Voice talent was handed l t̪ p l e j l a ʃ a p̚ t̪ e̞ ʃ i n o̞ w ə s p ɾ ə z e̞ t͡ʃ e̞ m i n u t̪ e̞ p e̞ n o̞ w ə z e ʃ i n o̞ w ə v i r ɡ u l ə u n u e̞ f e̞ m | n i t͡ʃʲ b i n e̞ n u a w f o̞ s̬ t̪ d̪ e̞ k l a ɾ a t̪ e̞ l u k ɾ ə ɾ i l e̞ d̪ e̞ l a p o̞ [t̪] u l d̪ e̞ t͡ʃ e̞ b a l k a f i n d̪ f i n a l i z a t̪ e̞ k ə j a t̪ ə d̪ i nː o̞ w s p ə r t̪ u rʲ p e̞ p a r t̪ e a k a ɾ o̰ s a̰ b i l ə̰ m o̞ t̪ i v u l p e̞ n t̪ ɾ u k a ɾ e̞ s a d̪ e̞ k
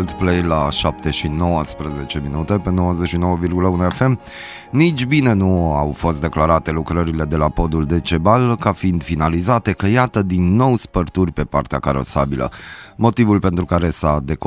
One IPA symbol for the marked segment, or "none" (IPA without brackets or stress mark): d̪